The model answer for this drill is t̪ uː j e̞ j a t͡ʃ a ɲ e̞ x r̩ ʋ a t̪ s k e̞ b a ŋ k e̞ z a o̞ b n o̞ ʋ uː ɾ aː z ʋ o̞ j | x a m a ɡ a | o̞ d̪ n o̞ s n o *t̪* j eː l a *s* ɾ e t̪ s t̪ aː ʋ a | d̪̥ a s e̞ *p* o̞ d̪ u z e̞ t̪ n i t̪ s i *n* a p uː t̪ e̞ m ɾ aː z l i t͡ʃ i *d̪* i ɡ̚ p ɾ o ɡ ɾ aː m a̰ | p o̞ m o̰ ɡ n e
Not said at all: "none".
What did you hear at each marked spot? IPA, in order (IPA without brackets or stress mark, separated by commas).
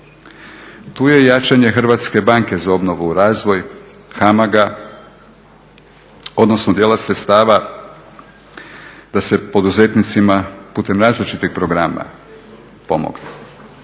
d̪, s, p, m, t̪